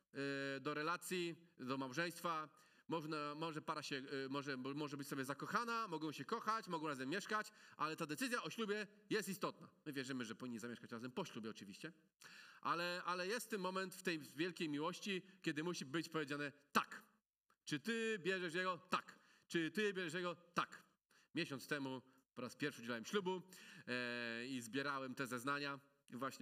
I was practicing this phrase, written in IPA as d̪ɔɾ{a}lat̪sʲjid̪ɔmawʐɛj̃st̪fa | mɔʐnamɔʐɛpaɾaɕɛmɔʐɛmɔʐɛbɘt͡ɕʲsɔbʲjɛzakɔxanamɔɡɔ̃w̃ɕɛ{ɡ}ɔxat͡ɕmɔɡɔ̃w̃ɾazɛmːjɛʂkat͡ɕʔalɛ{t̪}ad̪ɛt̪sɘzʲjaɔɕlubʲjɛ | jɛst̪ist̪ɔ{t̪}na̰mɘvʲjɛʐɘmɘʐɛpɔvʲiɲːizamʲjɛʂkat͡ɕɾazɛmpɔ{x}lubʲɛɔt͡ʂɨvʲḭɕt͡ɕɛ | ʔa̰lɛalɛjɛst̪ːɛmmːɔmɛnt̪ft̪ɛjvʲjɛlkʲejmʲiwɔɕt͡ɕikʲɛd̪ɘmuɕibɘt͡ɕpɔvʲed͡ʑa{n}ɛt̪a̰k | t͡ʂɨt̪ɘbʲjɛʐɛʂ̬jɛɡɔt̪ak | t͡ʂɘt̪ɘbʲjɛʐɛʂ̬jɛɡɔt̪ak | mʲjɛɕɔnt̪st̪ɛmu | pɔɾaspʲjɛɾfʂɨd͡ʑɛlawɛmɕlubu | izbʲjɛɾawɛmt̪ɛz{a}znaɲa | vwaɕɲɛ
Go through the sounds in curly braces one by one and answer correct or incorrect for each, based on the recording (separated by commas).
incorrect, incorrect, correct, correct, incorrect, correct, incorrect